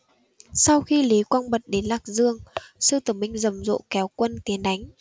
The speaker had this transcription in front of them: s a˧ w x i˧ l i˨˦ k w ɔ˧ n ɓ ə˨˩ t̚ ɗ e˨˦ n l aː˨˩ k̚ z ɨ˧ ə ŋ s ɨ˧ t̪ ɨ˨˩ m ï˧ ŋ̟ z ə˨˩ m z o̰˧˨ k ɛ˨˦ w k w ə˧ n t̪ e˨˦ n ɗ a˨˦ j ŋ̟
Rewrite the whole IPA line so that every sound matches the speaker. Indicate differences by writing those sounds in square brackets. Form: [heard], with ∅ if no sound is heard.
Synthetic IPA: s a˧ w x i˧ l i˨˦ k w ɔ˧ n ɓ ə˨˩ t̚ ɗ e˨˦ n l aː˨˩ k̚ z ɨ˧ ə ŋ s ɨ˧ t̪ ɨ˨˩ m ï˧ ŋ̟ z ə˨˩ m z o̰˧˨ k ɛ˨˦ w k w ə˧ n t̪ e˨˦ n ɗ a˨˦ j ŋ̟